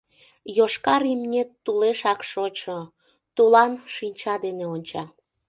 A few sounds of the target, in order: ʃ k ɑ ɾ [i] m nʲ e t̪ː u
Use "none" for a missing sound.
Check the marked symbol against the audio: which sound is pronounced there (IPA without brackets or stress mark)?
i